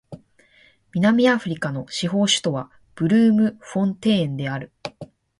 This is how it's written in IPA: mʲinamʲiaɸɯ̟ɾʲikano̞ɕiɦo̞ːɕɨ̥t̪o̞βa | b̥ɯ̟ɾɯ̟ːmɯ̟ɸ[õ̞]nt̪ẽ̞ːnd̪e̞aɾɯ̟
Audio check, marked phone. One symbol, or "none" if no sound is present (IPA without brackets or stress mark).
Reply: õ̞